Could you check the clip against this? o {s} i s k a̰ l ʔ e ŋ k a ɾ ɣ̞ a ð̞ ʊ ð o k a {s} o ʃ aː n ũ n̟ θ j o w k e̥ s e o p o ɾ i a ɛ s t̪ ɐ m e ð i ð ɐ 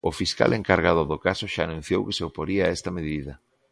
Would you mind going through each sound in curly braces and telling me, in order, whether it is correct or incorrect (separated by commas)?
incorrect, correct